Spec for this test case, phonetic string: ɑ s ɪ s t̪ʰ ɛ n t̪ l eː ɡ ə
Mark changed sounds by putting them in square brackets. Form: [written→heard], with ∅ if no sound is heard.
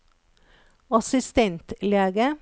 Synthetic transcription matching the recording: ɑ s ɪ s [t̪ʰ→t̪] ɛ n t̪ l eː ɡ ə